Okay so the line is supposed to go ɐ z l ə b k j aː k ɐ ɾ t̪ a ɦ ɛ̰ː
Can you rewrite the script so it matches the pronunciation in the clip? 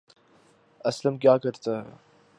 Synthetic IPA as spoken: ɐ s l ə m k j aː k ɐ ɾ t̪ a ɦ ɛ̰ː